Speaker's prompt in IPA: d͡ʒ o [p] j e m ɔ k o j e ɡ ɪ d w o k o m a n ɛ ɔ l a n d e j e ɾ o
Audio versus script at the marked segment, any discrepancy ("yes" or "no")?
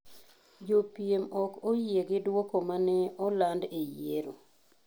no